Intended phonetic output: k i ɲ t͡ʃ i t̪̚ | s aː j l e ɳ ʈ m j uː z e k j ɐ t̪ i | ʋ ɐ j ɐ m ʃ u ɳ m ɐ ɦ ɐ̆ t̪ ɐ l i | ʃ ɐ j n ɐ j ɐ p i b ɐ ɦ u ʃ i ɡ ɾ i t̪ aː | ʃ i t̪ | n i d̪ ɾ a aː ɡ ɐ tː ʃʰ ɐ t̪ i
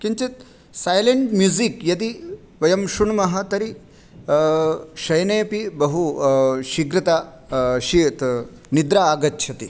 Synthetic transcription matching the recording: k i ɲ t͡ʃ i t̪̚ | s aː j l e ɳ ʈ m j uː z i k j ɐ t̪ i | ʋ ɐ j ɐ m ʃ u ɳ m ɐ ɦ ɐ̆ t̪ ɐ ɾ i | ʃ ɐ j n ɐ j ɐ p i b ɐ ɦ u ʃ i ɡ ɾ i t̪ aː | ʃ i t̪ | n i d̪ ɾ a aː ɡ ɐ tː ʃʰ ɐ t̪ i

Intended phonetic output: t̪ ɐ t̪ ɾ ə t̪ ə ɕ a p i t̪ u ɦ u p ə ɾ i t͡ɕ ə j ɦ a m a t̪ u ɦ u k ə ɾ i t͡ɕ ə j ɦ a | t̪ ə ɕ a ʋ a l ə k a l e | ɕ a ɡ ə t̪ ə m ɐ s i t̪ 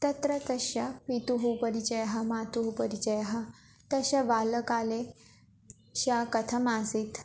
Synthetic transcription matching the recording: t̪ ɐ t̪ ɾ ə t̪ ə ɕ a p i t̪ u ɦ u p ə ɾ i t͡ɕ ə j ɦ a m a t̪ u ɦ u p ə ɾ i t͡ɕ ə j ɦ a | t̪ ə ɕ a ʋ a l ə k a l e | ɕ a k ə t̪ʰ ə m a s i t̪

